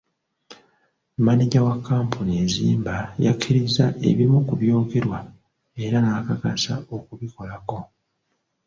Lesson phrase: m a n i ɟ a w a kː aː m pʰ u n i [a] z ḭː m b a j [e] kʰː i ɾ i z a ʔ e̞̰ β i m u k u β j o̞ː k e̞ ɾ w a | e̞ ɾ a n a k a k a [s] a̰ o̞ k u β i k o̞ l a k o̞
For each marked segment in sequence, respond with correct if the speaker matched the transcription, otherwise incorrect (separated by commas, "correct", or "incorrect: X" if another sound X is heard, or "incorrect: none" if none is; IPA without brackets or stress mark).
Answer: incorrect: e, incorrect: a, correct